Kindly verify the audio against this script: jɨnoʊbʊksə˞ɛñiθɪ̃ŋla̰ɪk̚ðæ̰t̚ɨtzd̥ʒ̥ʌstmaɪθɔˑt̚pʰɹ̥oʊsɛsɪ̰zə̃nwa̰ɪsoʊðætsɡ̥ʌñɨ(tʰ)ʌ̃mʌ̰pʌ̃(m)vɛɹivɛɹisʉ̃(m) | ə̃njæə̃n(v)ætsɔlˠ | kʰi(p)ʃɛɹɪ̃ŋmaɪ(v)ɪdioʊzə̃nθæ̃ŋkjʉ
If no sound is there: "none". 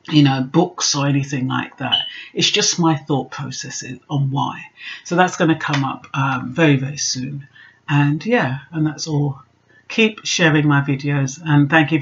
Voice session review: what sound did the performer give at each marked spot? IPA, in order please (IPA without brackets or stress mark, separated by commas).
kʰ, m, n, ð, p, v